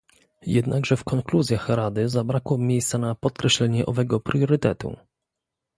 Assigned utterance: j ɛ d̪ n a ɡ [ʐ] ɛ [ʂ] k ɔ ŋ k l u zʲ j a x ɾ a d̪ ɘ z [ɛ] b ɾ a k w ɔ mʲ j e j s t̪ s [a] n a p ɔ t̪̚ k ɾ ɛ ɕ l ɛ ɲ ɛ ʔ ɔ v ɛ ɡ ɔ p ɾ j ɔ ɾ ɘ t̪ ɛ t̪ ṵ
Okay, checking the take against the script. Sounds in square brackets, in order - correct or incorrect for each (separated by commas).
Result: correct, incorrect, incorrect, correct